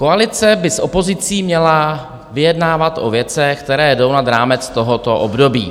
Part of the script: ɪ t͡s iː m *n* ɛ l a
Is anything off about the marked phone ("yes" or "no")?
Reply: yes